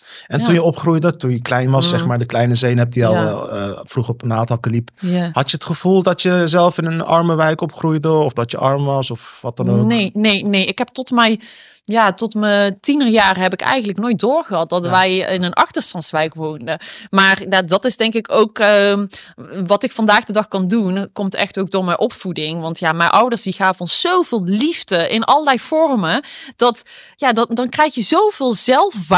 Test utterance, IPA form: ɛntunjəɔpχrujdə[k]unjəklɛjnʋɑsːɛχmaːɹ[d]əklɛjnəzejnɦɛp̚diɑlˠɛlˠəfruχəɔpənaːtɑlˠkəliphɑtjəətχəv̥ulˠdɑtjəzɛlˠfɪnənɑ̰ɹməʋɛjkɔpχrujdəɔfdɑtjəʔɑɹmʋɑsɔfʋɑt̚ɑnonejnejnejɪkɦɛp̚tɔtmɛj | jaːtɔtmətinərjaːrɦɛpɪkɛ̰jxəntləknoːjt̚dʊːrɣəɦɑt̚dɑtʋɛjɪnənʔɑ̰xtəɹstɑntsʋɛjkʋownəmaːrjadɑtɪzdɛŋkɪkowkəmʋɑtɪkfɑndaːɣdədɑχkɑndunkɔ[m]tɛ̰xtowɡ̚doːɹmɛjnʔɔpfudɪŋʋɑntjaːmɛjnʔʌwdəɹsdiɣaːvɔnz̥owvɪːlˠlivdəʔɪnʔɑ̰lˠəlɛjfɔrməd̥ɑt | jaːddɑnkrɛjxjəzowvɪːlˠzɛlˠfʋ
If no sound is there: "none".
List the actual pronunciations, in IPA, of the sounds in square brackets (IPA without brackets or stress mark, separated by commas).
t, d, m